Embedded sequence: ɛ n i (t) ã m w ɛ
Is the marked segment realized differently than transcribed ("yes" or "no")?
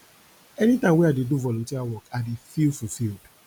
no